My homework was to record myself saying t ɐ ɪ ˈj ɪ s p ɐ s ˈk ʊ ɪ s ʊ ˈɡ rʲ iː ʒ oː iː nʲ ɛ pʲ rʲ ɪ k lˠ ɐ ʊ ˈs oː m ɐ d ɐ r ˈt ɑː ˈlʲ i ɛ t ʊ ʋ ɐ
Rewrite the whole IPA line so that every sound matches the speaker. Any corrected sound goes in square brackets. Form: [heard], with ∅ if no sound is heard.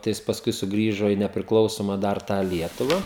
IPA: t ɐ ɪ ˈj ɪ s p ɐ s ˈk ʊ ɪ s ʊ ˈɡ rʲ iː ʒ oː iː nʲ ɛ pʲ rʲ ɪ k lˠ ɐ ʊ ˈs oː m ɐ d ɐ r ˈt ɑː ˈlʲ i ɛ t ʊ ʋ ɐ

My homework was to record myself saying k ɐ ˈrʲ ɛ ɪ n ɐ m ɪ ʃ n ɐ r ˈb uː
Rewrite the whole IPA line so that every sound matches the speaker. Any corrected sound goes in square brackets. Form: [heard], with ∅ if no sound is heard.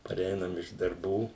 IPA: [p] ɐ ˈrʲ ɛ ɪ n ɐ m ɪ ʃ [d] ɐ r ˈb uː

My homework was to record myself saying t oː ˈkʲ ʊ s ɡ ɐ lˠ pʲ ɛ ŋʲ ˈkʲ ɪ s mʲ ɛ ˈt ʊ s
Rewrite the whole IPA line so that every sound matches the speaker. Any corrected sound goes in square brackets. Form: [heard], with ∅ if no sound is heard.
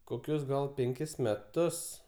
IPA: [k] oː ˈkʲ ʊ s ɡ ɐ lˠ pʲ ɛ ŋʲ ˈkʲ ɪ s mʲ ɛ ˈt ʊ s

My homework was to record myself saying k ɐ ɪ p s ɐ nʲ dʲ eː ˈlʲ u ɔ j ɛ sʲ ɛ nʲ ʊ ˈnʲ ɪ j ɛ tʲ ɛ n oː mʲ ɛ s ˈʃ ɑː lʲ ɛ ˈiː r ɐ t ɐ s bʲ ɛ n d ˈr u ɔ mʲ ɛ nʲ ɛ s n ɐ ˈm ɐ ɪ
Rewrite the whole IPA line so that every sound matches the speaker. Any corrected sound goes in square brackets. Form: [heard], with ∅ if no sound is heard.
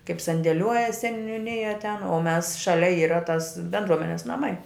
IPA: k ɐ ɪ p s ɐ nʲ dʲ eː ˈlʲ u ɔ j ɛ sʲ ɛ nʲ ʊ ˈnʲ ɪ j ɛ tʲ ɛ n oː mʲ ɛ s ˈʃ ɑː lʲ ɛ ˈiː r ɐ t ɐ s bʲ ɛ n d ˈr u ɔ mʲ ɛ nʲ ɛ s n ɐ ˈm ɐ ɪ

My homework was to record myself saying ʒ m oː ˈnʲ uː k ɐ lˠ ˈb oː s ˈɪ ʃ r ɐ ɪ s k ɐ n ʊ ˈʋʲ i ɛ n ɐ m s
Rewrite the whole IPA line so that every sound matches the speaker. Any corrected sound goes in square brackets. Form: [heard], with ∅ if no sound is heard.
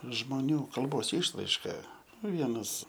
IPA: ʒ m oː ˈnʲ uː k ɐ lˠ ˈb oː s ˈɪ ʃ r ɐ ɪ [ʃ] k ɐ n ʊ ˈʋʲ i ɛ n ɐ [∅] s

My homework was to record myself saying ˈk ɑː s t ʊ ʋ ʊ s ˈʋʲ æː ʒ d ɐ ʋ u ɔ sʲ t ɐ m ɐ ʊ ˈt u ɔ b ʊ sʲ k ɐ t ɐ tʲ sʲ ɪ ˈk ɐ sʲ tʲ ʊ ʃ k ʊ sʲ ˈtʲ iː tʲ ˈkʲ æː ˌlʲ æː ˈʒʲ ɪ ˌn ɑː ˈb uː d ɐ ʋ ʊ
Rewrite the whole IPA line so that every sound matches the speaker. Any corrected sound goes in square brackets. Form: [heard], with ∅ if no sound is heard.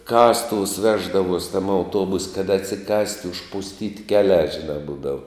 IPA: ˈk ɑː s t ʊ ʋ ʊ s ˈʋʲ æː ʒ d ɐ ʋ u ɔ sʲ t ɐ m ɐ ʊ ˈt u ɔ b ʊ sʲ k ɐ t ɐ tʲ sʲ ɪ ˈk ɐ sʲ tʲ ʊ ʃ [p] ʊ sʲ ˈtʲ iː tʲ ˈkʲ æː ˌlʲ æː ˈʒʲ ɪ ˌn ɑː ˈb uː d ɐ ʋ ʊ

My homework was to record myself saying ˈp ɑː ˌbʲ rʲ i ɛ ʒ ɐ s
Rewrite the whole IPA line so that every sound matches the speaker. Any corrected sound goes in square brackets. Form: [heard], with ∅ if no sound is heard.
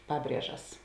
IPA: ˈp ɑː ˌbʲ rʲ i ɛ ʒ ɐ s

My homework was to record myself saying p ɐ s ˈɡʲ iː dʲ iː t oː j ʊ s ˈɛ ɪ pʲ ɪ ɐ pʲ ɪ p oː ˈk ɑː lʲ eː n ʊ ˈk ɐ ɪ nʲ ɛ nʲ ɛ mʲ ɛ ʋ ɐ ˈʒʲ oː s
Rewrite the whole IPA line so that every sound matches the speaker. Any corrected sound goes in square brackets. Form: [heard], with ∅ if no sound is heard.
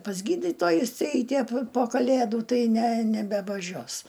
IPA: p ɐ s ˈɡʲ iː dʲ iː t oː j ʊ s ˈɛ ɪ [tʲ] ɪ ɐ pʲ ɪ p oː ˈk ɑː lʲ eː [d] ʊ [ˈt] ɐ ɪ nʲ ɛ nʲ ɛ [bʲ] ɛ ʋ ɐ ˈʒʲ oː s

